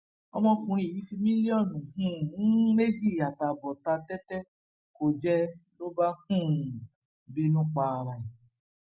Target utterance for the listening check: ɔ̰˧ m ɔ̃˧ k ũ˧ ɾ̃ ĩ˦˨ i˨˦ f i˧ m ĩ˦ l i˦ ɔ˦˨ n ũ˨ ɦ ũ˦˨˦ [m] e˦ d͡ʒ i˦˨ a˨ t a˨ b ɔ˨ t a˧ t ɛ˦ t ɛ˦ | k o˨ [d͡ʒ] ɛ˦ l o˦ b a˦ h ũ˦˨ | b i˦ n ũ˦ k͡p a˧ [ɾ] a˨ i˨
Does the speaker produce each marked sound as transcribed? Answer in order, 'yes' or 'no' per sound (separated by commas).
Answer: yes, yes, yes